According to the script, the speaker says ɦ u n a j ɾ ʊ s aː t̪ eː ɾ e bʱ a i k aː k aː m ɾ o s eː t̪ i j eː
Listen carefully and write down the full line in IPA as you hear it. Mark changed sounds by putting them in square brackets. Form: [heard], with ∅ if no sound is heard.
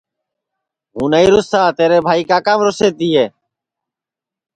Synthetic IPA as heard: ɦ u n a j ɾ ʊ s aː t̪ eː ɾ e bʱ a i k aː k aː m ɾ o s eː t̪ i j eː